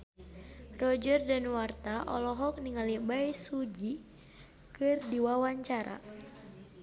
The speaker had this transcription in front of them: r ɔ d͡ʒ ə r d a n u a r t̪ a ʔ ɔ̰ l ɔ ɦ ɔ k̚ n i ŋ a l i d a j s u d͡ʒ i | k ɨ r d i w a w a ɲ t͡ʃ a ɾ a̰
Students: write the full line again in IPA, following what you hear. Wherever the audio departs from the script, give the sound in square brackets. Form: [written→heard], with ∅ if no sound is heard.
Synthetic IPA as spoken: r ɔ d͡ʒ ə r d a n [u→w] a r t̪ a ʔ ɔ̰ l ɔ ɦ ɔ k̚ n i ŋ a l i [d→b] a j s u d͡ʒ i | k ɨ r d i w a w a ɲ t͡ʃ a ɾ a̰